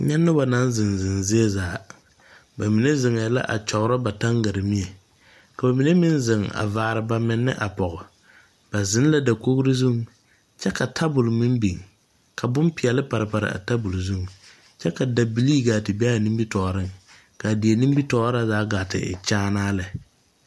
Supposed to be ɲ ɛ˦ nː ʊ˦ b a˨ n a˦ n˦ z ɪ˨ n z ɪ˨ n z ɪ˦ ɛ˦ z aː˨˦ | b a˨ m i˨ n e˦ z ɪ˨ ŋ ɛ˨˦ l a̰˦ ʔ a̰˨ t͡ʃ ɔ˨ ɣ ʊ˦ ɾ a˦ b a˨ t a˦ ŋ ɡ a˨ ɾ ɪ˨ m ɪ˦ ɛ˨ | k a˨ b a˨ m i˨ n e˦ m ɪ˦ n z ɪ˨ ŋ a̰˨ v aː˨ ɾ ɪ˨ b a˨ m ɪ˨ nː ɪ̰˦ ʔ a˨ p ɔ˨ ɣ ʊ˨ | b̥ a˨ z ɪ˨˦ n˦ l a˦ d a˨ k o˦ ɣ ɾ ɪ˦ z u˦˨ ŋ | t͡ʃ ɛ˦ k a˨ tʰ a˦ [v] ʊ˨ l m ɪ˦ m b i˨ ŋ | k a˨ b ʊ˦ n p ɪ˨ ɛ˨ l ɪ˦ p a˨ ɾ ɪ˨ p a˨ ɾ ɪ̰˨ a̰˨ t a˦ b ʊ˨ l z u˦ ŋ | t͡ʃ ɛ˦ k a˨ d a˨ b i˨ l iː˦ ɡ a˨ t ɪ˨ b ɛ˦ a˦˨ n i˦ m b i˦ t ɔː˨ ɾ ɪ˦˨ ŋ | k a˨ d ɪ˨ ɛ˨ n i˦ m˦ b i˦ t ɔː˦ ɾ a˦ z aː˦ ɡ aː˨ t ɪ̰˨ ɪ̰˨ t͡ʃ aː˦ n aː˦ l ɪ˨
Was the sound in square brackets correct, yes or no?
no